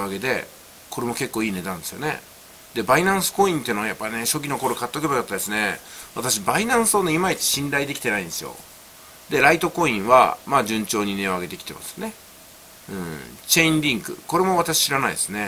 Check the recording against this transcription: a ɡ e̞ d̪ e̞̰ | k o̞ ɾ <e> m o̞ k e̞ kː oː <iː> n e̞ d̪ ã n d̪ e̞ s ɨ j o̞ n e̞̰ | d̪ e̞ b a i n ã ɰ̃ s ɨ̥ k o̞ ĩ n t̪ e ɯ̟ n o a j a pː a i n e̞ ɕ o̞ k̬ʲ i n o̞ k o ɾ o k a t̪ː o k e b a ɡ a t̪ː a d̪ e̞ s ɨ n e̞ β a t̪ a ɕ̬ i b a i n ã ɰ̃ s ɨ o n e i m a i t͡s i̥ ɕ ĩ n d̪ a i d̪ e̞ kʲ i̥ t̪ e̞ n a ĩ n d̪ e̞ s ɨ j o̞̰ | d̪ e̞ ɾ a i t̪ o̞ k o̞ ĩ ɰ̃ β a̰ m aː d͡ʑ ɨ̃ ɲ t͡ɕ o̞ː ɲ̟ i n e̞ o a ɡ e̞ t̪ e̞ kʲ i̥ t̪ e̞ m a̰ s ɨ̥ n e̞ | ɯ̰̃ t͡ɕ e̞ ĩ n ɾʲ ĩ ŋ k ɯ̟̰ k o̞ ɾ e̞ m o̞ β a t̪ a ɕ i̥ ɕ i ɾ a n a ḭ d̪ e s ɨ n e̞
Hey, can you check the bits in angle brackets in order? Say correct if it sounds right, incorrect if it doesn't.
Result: correct, correct

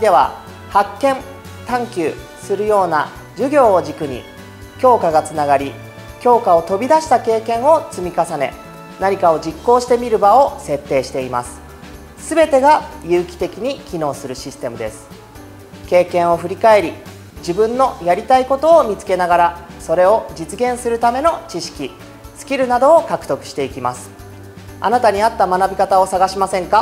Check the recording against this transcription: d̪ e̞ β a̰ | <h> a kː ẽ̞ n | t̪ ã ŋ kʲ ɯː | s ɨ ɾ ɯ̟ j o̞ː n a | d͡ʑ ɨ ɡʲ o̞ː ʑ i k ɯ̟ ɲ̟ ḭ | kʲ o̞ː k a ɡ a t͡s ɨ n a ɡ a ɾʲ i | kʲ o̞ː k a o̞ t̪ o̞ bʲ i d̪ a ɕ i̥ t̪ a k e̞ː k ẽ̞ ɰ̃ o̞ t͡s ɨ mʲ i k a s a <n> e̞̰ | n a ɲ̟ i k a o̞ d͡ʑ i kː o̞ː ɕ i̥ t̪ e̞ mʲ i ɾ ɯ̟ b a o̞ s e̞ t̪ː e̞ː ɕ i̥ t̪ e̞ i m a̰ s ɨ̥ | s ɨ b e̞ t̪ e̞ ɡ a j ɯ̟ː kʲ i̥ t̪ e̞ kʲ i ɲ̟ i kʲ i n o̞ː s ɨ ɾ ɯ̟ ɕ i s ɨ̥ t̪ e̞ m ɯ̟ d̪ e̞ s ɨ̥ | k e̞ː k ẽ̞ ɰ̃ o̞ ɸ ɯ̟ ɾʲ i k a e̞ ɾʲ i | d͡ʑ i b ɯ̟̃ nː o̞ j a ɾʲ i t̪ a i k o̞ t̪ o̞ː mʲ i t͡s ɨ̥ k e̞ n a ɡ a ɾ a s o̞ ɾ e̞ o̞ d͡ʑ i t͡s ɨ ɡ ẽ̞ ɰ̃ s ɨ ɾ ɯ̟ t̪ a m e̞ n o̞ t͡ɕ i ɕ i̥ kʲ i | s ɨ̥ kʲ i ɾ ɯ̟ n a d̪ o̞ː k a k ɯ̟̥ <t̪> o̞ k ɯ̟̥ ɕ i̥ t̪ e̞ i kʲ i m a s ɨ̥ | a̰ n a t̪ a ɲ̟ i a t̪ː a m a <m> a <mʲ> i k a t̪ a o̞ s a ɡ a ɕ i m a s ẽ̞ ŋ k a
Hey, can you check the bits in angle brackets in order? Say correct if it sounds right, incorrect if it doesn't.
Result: correct, correct, correct, incorrect, incorrect

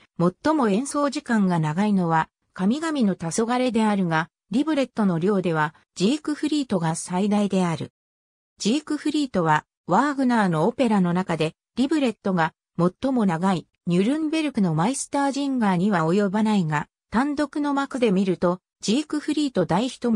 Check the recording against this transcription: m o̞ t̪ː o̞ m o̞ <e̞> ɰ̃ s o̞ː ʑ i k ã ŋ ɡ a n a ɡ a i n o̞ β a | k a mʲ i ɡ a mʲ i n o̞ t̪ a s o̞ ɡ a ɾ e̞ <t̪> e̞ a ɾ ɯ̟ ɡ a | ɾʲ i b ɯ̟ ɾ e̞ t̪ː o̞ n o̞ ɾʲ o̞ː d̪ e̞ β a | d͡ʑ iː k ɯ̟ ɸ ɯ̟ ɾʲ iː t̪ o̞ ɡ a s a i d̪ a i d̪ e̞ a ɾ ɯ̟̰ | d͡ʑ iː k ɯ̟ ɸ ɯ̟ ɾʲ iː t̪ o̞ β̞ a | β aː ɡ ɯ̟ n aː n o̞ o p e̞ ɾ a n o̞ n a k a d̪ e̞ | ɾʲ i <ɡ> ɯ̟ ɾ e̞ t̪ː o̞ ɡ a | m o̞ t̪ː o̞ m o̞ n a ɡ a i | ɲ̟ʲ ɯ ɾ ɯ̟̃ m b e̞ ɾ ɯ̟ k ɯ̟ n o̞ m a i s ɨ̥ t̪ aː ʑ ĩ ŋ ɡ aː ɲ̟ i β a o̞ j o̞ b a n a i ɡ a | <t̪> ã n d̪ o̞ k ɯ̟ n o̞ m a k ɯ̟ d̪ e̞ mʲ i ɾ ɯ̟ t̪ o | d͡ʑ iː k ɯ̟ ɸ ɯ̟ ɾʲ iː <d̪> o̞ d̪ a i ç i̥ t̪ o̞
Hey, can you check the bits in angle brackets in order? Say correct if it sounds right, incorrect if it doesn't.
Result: incorrect, incorrect, incorrect, correct, incorrect

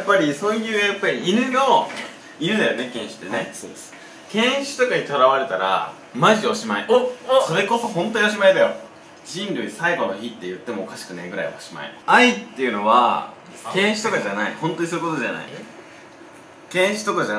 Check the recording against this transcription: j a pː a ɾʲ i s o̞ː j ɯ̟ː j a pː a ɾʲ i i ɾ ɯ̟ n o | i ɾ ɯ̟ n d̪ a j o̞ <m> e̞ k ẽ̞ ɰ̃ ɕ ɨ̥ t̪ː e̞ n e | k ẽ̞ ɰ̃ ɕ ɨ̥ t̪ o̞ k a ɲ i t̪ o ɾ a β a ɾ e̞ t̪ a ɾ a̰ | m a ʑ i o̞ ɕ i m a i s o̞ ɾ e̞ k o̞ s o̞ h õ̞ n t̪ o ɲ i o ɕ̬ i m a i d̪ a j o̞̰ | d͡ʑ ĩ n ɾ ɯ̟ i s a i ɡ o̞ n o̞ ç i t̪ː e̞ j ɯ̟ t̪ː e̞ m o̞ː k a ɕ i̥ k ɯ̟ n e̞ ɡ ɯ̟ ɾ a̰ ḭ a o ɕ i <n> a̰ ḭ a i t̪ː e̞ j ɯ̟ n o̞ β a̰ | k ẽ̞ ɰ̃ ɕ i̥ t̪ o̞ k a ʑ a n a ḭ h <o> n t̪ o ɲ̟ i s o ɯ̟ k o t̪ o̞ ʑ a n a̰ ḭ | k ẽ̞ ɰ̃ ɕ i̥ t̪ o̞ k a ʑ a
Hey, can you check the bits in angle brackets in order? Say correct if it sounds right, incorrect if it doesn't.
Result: incorrect, incorrect, incorrect

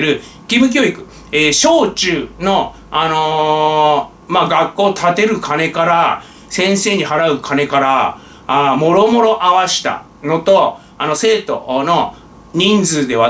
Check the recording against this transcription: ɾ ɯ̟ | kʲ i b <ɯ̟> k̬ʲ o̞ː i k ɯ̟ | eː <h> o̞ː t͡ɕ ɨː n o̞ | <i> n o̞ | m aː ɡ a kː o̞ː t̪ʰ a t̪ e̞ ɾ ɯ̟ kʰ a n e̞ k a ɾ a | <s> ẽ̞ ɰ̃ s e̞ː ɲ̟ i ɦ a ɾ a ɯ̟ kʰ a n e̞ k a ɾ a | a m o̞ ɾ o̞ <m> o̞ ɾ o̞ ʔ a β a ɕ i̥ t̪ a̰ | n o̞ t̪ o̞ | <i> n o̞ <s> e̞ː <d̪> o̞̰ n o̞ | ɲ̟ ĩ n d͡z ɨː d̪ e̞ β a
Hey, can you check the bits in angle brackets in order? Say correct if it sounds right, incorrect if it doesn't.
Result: correct, incorrect, incorrect, correct, correct, incorrect, correct, incorrect

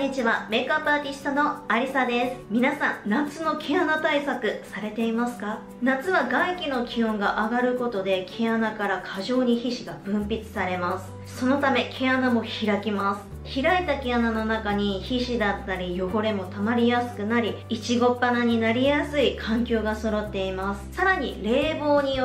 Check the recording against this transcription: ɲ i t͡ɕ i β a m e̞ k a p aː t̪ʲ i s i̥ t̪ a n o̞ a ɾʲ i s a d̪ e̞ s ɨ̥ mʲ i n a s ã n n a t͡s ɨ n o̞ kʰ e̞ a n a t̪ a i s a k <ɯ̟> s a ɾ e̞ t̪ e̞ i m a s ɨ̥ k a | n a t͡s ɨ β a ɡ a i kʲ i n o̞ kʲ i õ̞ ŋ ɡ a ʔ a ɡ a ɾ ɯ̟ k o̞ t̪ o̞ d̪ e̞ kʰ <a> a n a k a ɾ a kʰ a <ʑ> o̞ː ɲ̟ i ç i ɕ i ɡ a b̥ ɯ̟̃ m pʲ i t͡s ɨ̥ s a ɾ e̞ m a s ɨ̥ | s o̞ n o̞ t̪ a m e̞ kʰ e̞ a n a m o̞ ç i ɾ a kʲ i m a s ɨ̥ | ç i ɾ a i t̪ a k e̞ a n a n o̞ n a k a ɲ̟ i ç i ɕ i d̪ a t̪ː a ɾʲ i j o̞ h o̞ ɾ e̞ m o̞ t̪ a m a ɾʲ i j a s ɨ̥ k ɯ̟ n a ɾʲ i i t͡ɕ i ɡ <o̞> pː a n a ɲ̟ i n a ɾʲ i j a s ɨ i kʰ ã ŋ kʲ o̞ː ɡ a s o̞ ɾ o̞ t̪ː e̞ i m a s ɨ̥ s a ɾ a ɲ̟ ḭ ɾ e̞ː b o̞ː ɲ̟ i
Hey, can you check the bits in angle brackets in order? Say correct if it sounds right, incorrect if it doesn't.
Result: correct, incorrect, correct, correct

